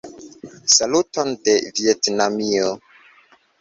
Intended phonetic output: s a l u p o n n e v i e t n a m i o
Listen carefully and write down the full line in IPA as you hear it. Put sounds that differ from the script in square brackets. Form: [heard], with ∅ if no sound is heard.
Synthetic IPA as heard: s a l u [t] o n [d] e v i e t n a m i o